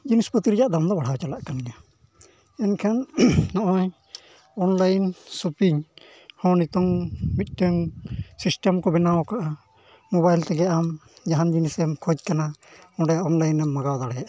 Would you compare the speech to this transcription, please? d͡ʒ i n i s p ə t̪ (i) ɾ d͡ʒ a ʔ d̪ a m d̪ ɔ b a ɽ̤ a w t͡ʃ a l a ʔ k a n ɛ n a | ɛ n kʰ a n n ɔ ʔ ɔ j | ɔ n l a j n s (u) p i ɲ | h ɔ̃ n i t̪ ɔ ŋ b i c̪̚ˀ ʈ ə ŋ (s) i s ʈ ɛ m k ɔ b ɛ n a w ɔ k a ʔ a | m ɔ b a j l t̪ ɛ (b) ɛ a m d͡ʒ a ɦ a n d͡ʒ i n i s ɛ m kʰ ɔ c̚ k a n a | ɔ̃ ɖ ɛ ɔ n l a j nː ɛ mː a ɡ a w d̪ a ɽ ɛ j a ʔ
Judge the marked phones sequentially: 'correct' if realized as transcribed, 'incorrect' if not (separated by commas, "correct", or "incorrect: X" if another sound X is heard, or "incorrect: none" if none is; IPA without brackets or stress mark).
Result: correct, correct, correct, incorrect: ɡ